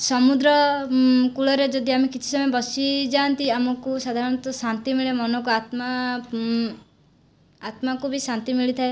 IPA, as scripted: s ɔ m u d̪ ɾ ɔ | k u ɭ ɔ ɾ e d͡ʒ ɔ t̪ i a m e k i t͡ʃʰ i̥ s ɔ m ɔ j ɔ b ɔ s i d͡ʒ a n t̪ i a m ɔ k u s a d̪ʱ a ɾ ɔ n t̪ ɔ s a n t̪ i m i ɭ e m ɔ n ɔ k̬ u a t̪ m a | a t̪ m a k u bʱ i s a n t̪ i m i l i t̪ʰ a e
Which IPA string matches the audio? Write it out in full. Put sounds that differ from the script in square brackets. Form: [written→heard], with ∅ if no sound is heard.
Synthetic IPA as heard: s ɔ m u d̪ ɾ ɔ | k u ɭ ɔ ɾ e d͡ʒ ɔ [t̪→d̪] i a m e k i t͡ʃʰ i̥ s ɔ m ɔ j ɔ b ɔ s i d͡ʒ a n t̪ i a m ɔ k u s a d̪ʱ a ɾ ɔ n t̪ ɔ s a n t̪ i m i ɭ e m ɔ n ɔ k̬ u a t̪ m a | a t̪ m a k u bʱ i s a n t̪ i m i [l→ɭ] i t̪ʰ a e